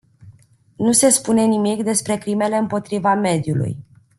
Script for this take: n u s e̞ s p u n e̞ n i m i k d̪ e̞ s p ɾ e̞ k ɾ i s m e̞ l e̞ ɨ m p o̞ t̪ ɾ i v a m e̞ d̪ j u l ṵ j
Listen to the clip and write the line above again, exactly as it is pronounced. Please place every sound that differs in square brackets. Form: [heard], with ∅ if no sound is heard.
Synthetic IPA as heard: n u s e̞ s p u n e̞ n i m i k d̪ e̞ s p ɾ e̞ k ɾ i [∅] m e̞ l e̞ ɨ m p o̞ t̪ ɾ i v a m e̞ d̪ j u l ṵ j